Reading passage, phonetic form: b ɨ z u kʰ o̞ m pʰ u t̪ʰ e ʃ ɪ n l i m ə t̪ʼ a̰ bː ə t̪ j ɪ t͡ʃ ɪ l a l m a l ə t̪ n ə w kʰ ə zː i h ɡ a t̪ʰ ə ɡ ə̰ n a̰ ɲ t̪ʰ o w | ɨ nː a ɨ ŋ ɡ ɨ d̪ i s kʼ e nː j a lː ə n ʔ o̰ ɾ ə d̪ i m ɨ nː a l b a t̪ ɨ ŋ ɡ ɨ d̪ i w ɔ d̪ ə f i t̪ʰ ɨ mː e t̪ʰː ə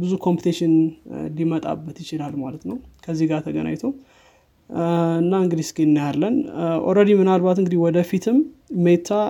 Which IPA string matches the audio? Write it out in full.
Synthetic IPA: b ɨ z u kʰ o̞ m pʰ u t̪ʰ e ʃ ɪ n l i m ə t̪ʼ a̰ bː ə t̪ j ɪ t͡ʃ ɪ l a l m a l ə t̪ n ə w kʰ ə zː i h ɡ a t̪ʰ ə ɡ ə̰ n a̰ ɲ t̪ʰ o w | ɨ nː a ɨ ŋ ɡ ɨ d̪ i s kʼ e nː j a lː ə n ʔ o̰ ɾ ə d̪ i m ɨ n a l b a t̪ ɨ ŋ ɡ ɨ d̪ i w ɔ d̪ ə f i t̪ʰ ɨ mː e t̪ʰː a